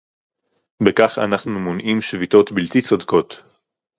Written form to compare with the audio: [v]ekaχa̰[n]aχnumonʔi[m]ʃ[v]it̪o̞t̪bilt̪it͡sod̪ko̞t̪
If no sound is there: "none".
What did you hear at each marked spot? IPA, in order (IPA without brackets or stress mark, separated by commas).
b, n, m, v